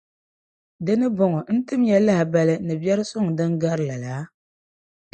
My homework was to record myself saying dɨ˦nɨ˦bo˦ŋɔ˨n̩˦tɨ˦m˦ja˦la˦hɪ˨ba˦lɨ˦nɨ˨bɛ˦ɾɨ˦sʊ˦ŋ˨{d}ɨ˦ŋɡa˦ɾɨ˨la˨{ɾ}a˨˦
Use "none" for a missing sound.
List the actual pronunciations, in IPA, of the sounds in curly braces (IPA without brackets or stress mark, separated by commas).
d, l